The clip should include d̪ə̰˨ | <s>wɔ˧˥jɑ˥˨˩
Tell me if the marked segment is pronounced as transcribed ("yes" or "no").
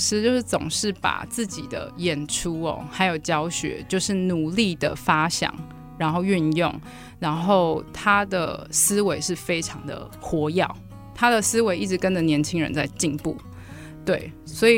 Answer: no